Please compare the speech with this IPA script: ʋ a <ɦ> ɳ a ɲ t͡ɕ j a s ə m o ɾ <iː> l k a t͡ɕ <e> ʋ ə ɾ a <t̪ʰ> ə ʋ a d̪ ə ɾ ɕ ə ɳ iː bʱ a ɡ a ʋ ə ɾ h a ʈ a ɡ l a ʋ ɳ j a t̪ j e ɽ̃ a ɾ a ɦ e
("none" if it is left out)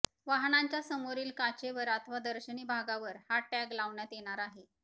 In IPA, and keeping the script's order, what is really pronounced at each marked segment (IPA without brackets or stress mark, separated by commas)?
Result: ɦ, iː, e, t̪ʰ